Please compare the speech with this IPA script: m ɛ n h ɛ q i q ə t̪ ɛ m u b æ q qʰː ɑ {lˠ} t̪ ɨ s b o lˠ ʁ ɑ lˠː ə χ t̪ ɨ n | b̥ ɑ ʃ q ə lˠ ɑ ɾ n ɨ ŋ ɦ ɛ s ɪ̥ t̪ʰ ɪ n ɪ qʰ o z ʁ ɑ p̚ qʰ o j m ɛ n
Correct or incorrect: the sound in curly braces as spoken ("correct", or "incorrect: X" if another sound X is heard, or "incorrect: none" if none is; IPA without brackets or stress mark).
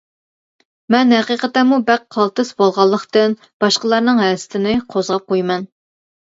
correct